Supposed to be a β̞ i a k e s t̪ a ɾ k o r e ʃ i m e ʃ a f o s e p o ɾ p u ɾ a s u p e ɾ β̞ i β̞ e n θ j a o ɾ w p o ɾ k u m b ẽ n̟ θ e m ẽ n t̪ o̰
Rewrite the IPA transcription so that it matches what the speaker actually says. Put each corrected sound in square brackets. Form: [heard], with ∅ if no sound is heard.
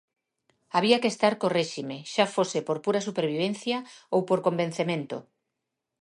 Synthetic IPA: a β̞ i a k e s t̪ a ɾ k o r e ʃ i m e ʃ a f o s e p o ɾ p u ɾ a s u p e ɾ β̞ i β̞ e n θ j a o [∅] w p o ɾ k [o] m b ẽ n̟ θ e m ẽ n t̪ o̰